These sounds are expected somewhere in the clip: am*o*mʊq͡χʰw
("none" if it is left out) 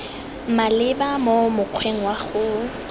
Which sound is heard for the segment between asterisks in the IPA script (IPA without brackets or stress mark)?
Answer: o